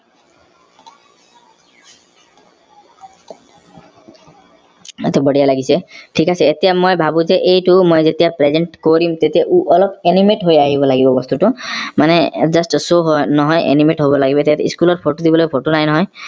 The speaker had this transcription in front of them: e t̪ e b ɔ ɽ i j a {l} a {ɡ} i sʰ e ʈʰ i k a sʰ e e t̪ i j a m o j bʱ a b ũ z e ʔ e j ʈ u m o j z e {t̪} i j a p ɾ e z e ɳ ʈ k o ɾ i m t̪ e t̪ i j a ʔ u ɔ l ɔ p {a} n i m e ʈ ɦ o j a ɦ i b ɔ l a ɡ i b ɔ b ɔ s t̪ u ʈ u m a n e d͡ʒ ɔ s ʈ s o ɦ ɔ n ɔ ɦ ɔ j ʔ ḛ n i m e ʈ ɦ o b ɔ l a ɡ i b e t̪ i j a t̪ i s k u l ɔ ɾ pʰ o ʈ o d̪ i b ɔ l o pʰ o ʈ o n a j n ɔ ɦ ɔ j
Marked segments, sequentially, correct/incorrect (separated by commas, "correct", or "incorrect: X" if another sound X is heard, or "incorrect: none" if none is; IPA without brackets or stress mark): correct, correct, correct, incorrect: e